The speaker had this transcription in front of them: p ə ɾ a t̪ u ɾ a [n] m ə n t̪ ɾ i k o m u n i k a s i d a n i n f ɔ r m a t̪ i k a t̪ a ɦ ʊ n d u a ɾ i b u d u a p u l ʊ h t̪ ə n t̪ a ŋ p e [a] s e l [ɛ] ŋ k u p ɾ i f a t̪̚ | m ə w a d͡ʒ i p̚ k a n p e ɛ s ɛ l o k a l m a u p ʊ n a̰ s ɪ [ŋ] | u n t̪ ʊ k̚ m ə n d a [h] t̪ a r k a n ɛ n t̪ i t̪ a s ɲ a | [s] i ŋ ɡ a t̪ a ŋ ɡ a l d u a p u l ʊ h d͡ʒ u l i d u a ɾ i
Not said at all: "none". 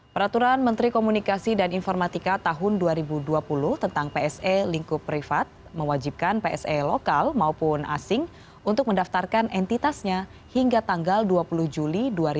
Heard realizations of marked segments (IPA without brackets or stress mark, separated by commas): n, ɛ, i, ŋ, f, h